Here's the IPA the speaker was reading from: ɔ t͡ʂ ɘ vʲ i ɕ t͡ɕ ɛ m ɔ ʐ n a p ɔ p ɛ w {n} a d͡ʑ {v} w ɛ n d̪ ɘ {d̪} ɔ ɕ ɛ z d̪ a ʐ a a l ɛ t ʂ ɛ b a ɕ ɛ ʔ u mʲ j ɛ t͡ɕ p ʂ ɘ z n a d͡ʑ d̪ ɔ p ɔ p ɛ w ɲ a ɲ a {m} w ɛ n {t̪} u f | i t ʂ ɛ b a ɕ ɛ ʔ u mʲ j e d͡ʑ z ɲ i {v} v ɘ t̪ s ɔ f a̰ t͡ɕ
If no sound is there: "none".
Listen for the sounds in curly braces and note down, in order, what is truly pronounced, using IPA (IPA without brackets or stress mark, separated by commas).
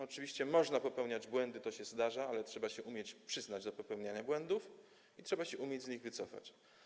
ɲ, b, t̪, b, d̪, ɣ